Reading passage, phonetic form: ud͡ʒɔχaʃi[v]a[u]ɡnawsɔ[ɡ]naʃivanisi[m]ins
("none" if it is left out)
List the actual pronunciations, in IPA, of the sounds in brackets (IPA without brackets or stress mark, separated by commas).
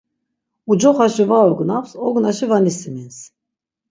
v, ɔ, ɡ, m